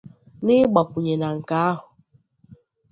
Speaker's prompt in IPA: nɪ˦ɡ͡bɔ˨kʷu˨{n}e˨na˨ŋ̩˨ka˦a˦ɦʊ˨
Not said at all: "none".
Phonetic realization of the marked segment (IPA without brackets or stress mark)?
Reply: ɲ